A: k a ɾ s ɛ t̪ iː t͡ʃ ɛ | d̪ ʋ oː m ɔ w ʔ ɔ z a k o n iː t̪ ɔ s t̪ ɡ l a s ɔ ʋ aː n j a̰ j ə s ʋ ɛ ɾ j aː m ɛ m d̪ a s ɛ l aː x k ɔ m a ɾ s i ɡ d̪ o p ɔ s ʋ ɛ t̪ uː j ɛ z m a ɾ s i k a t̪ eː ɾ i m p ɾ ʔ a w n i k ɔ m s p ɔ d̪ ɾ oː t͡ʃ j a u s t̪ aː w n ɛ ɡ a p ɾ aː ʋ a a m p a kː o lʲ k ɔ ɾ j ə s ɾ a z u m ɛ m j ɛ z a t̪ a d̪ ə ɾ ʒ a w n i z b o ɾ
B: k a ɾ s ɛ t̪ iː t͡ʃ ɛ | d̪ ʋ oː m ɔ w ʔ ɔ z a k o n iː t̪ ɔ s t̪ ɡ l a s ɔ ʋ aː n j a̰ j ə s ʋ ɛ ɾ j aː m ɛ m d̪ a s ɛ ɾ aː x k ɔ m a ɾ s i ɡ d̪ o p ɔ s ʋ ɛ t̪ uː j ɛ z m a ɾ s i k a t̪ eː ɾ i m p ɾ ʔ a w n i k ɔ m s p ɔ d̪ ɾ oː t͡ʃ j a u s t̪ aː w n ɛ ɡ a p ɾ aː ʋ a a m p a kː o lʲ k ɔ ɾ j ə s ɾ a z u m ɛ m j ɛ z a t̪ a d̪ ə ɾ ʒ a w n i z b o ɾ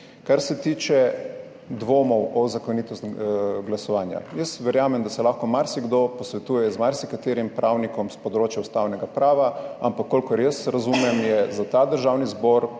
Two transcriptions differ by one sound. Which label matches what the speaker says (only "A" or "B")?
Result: A